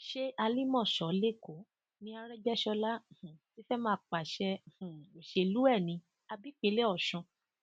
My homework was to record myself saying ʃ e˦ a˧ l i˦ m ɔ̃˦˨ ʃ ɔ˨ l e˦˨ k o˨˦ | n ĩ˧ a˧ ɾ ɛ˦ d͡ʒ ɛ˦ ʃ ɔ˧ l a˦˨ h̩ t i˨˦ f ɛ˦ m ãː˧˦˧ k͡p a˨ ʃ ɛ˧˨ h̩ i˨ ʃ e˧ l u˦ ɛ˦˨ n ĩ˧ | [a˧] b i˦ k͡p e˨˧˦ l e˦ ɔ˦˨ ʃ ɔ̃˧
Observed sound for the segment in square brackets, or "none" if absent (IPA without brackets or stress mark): a˧